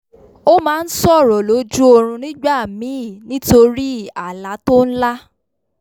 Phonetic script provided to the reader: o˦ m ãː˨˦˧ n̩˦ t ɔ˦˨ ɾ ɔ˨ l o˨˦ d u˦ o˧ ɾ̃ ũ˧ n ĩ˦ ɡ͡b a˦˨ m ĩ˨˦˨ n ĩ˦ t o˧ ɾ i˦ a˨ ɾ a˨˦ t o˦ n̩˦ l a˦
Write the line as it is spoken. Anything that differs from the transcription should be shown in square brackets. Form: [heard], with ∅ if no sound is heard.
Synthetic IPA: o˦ m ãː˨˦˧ n̩˦ [s] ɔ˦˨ ɾ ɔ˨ l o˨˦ [d͡ʒ] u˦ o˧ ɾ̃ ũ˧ n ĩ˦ ɡ͡b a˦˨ m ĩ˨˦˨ n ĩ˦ t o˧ ɾ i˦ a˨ [l] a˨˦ t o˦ n̩˦ l a˦